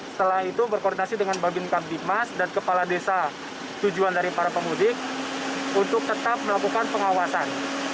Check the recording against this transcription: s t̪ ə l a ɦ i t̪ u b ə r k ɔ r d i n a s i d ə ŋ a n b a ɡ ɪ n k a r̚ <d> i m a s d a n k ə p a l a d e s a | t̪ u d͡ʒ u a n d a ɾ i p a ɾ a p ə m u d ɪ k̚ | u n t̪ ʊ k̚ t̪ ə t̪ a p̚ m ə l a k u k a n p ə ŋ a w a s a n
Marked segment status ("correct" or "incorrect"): correct